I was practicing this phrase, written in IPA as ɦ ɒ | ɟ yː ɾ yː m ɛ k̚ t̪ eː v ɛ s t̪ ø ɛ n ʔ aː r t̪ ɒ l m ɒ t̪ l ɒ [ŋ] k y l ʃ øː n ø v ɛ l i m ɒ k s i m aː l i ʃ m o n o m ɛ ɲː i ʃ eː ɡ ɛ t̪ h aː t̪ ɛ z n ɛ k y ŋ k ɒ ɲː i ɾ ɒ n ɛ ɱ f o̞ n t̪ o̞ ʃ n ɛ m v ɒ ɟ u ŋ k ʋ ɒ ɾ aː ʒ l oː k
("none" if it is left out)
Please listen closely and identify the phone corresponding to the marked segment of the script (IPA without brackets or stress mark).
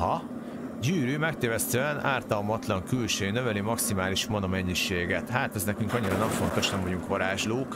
ŋ